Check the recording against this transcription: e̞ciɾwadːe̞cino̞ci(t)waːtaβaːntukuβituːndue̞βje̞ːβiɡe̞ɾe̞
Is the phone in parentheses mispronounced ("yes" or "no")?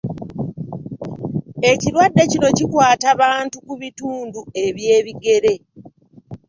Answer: yes